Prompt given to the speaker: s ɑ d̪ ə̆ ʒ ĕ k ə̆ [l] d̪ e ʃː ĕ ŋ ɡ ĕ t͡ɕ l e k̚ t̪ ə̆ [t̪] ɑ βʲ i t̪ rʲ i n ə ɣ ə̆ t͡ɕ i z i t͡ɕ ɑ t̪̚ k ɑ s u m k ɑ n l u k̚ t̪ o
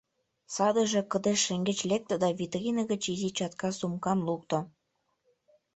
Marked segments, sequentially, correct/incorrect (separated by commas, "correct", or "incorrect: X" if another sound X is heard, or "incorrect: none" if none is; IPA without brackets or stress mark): incorrect: none, incorrect: d̪